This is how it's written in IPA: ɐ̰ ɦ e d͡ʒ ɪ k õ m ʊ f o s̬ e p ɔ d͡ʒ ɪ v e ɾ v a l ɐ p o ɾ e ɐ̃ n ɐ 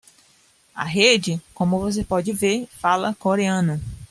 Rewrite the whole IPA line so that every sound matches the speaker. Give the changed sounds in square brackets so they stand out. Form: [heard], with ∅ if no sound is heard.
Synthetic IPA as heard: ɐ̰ ɦ e d͡ʒ ɪ k õ m ʊ [v] o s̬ e p ɔ d͡ʒ ɪ v e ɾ [f] a l ɐ [k] o ɾ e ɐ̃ n ɐ